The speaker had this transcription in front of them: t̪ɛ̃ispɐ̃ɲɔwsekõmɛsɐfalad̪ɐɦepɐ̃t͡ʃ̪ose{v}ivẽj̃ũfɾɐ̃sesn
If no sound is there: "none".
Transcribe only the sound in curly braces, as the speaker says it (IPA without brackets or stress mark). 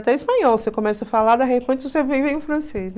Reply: v